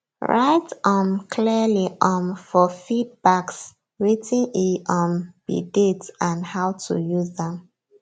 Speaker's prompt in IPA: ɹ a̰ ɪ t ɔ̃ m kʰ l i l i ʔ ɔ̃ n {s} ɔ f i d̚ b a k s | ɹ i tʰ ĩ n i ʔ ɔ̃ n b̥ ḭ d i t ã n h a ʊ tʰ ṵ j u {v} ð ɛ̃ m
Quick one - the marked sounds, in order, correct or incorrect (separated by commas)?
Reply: incorrect, incorrect